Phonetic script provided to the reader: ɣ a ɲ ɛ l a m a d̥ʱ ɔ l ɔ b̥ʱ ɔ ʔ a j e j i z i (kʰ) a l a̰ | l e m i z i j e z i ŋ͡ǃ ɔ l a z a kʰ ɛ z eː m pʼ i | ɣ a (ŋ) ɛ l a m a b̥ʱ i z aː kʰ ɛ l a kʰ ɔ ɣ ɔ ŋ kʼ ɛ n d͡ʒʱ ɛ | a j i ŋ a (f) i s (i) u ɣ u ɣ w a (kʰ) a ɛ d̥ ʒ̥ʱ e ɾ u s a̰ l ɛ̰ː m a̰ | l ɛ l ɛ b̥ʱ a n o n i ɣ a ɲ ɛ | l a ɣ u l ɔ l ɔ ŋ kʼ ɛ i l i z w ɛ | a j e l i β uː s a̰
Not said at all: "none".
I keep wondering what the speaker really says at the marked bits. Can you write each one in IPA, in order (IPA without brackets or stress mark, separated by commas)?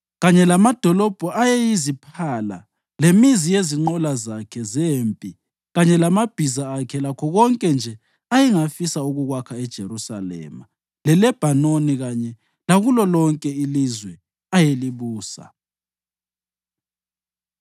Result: pʰ, ɲ, f, a, kʰ